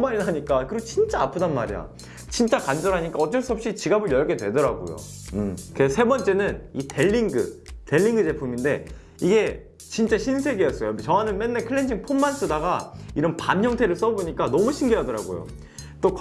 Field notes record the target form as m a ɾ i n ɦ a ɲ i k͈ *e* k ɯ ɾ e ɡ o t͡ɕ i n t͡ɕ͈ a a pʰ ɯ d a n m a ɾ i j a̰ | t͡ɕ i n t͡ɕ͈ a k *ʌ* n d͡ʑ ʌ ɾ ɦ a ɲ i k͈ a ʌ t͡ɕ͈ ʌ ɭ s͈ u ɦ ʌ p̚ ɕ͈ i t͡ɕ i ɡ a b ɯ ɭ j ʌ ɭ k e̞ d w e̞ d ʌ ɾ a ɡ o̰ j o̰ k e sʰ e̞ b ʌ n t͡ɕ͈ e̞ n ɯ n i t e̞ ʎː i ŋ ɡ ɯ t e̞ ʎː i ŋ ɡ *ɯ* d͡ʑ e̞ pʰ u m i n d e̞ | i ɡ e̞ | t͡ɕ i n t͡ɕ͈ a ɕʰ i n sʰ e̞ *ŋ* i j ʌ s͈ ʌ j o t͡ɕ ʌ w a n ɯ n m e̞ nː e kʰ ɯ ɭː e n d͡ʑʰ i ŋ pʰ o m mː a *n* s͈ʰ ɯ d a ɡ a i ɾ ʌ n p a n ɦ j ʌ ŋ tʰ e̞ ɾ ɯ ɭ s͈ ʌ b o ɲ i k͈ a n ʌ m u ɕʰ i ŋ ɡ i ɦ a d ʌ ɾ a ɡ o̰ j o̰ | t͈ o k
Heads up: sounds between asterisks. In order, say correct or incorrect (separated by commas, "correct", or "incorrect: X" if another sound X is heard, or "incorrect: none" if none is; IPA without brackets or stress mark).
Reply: incorrect: a, incorrect: a, correct, incorrect: ɡ, correct